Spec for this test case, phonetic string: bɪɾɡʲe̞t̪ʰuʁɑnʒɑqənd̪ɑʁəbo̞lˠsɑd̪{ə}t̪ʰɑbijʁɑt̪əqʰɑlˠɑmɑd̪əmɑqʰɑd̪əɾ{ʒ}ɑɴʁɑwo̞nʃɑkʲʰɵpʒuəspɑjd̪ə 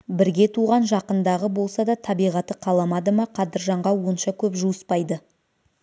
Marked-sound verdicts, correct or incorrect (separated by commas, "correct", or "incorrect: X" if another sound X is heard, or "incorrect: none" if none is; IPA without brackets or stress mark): incorrect: ɑ, correct